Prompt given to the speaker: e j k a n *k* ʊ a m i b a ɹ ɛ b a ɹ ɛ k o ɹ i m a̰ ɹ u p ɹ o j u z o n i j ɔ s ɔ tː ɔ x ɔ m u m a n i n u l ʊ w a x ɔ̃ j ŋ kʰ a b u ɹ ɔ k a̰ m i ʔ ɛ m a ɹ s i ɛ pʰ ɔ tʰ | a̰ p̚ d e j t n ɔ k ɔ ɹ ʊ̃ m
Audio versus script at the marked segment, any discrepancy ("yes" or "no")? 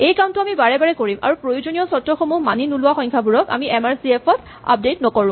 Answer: yes